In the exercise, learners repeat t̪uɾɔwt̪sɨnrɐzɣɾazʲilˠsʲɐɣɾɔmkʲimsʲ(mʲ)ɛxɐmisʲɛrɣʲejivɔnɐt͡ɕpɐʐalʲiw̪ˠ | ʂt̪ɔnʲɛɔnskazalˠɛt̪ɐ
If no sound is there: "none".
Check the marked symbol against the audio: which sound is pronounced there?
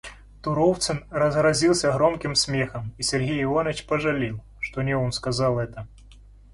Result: mʲ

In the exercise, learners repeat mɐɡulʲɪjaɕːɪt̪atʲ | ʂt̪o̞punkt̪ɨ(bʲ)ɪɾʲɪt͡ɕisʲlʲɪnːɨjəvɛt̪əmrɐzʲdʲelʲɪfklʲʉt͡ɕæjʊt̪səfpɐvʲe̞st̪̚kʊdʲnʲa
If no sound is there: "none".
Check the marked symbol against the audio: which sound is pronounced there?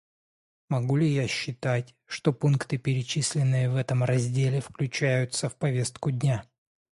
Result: pʲ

